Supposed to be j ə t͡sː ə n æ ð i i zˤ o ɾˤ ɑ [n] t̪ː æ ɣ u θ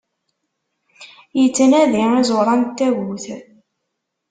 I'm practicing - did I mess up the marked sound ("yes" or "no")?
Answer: no